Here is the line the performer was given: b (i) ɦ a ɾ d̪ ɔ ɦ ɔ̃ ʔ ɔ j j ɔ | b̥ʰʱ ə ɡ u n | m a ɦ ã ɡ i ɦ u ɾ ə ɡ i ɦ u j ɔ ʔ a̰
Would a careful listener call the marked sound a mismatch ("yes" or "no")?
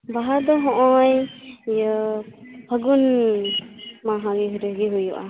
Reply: yes